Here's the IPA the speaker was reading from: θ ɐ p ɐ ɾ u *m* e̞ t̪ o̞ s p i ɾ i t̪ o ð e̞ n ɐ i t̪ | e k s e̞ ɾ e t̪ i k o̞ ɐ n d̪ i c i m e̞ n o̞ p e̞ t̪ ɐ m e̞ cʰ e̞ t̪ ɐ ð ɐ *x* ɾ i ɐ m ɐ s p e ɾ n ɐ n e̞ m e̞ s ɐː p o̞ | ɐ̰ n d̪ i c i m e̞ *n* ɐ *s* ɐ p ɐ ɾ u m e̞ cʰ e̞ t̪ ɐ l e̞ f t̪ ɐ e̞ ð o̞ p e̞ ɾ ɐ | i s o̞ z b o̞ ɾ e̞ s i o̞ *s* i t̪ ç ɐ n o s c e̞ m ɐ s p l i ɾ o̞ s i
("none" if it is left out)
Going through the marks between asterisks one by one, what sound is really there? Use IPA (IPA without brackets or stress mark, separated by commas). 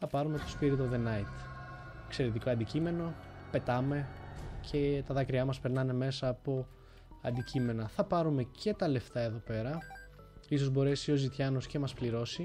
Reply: m, k, n, θ, z